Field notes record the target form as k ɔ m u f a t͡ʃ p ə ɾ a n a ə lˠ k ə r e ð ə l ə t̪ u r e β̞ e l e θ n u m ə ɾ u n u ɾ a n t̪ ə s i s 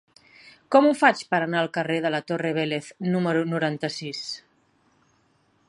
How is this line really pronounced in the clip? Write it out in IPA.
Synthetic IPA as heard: k ɔ m u f a t͡ʃ p ə ɾ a n a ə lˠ k ə r e ð ə l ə t̪ o r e β̞ e l e θ n u m ə ɾ u n u ɾ a n t̪ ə s i s